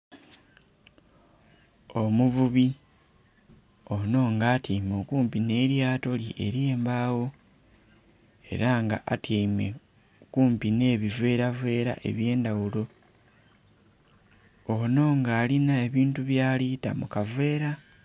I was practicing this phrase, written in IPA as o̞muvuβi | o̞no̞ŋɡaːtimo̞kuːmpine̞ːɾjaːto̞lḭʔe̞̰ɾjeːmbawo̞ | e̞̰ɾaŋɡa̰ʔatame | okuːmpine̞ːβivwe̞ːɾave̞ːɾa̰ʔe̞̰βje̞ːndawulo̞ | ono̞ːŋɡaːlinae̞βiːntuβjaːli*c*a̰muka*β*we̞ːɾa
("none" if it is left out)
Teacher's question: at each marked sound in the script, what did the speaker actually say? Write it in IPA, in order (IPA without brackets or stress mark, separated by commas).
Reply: t, v